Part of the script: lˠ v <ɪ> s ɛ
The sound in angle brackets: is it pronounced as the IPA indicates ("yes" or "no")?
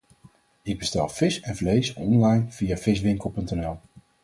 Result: yes